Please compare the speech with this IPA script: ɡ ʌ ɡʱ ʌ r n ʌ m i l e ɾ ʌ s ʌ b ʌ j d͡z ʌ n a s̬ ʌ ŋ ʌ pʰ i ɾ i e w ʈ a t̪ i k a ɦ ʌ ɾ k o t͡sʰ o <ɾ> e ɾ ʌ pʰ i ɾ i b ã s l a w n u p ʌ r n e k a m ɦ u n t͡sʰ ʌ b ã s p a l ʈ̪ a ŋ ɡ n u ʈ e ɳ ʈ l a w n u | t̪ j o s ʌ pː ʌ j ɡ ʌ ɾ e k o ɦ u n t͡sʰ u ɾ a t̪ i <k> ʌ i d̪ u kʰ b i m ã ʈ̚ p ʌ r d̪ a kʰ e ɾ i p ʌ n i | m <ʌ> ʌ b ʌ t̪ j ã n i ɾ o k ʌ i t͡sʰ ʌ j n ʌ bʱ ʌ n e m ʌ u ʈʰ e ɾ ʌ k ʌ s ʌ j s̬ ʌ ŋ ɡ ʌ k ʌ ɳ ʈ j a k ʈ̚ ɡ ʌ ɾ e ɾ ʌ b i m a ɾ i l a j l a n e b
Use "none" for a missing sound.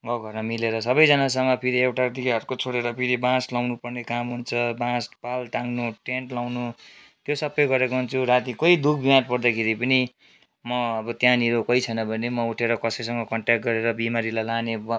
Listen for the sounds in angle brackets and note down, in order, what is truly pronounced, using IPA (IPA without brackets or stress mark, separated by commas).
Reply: ɽ, k, ʌ